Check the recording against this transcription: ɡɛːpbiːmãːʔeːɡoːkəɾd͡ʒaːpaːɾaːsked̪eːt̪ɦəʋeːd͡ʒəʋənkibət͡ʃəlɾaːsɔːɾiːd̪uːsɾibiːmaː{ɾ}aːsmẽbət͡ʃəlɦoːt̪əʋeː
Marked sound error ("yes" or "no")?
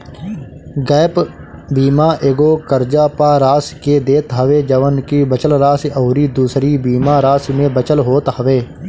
no